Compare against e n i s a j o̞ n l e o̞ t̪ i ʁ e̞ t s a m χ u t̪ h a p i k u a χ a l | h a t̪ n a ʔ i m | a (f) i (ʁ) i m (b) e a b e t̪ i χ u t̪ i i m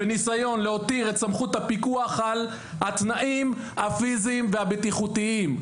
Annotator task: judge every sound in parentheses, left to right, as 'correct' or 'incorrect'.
correct, incorrect: z, incorrect: v

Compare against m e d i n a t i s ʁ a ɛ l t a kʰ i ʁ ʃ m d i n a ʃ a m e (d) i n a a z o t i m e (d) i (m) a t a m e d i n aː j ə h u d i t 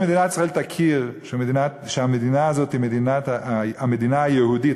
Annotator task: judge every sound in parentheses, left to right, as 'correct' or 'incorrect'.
correct, correct, incorrect: n

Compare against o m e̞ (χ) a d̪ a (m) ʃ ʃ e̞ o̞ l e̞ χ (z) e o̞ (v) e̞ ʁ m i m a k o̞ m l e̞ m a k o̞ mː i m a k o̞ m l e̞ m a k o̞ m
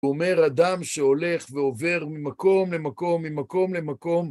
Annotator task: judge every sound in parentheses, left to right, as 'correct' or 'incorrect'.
incorrect: ʁ, correct, incorrect: v, correct

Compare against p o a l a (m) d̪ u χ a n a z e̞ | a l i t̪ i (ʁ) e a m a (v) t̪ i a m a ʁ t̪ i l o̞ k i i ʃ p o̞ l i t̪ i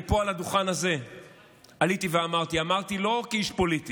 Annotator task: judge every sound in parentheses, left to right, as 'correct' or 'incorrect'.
incorrect: none, incorrect: v, incorrect: ʁ

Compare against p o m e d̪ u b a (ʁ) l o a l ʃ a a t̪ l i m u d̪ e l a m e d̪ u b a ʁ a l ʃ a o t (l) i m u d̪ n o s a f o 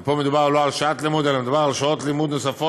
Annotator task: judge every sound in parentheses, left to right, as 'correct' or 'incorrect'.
correct, correct

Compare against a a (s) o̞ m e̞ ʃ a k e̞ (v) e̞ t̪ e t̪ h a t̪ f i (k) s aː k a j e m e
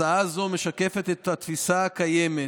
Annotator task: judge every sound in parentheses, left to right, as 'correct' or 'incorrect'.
incorrect: z, incorrect: f, incorrect: none

